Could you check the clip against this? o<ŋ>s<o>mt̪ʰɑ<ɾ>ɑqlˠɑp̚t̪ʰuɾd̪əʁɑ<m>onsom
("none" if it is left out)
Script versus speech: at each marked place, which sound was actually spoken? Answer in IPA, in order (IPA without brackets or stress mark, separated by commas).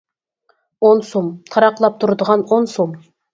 n, o, ɾ, n